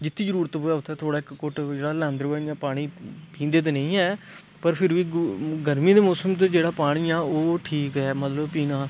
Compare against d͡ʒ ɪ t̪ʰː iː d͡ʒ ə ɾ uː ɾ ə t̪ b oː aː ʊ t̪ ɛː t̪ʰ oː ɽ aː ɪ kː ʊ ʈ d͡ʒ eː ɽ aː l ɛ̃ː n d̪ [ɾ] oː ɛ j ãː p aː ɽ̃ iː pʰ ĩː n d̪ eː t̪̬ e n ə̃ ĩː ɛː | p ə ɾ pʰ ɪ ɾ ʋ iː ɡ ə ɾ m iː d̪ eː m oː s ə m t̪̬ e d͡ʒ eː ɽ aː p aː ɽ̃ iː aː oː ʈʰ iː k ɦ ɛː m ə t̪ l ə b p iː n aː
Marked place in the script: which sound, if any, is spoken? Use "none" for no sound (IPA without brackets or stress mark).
ɾ